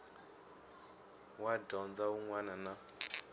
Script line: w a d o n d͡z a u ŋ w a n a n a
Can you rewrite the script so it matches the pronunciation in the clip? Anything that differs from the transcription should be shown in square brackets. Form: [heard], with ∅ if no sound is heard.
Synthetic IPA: w a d [ɔ] n d͡z a u ŋ w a n a n a